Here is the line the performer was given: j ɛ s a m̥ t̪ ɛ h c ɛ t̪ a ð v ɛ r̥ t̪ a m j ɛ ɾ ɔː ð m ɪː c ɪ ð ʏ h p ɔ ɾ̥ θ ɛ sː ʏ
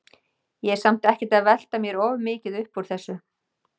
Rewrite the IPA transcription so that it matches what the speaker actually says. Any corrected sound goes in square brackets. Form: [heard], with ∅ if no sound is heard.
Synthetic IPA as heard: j ɛ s a m̥ t̪ ɛ h c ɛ t̪ a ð v ɛ [l̥] t̪ a m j ɛ ɾ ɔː [v] m ɪː c ɪ ð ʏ h p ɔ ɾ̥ θ ɛ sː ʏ